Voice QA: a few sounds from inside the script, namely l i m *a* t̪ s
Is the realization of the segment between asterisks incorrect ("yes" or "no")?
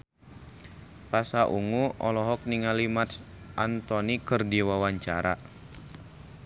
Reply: no